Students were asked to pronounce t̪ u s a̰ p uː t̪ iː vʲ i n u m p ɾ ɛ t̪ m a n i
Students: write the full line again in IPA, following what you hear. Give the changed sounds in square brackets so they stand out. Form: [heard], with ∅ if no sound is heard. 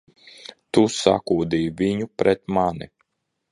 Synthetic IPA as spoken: t̪ u s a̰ [k] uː [d̪] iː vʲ i [ɲ] u [∅] p ɾ ɛ t̪ m a n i